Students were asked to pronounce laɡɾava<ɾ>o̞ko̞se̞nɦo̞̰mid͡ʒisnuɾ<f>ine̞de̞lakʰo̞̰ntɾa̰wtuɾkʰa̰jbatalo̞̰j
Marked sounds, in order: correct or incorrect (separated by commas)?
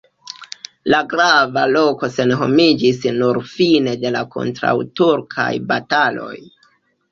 incorrect, correct